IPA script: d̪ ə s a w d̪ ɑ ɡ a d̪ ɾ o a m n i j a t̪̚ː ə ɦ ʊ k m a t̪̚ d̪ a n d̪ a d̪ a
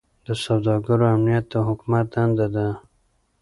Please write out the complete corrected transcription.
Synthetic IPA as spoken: d̪ ə s a w d̪ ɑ ɡ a ɾ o a m n i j a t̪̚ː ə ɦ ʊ k m a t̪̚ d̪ a n d̪ a d̪ a